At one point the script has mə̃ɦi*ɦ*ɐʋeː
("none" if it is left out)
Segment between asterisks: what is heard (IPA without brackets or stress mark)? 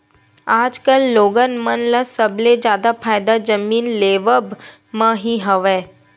ɦ